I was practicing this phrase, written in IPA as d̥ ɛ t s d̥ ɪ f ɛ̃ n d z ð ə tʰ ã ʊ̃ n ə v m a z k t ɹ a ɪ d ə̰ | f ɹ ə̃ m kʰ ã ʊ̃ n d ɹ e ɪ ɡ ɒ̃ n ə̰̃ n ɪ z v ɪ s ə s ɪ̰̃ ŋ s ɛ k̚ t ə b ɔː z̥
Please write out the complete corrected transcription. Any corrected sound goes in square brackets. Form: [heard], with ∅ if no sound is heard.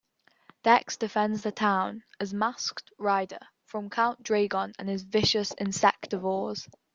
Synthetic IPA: d̥ ɛ [k] s d̥ ɪ f ɛ̃ n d z ð ə tʰ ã ʊ̃ n ə [z] m a [s] k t ɹ a ɪ d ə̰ | f ɹ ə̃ m kʰ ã ʊ̃ n d ɹ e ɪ ɡ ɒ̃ n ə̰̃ n ɪ z v ɪ [ʃ] ə s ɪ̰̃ [n] s ɛ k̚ t ə [v] ɔː z̥